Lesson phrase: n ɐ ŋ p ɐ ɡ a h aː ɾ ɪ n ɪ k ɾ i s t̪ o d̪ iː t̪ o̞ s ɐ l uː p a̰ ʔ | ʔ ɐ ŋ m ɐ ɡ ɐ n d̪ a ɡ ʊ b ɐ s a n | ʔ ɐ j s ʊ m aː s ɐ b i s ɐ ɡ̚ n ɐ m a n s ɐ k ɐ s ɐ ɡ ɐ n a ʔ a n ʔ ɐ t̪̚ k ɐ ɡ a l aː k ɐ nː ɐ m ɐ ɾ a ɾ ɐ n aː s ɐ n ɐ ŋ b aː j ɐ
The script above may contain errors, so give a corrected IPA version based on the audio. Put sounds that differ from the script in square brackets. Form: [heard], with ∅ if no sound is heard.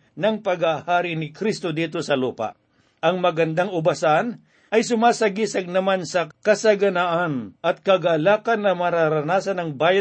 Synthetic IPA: n ɐ ŋ p ɐ ɡ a h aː ɾ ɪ n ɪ k ɾ i s t̪ o d̪ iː t̪ o̞ s ɐ l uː p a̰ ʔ | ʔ ɐ ŋ m ɐ ɡ ɐ n d̪ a [ŋ] ʊ b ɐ s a n | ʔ ɐ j s ʊ m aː s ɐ [ɡ] i s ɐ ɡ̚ n ɐ m a n s ɐ k ɐ s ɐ ɡ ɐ n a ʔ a n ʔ ɐ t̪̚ k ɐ ɡ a l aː k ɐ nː ɐ m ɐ ɾ a ɾ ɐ n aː s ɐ n ɐ ŋ b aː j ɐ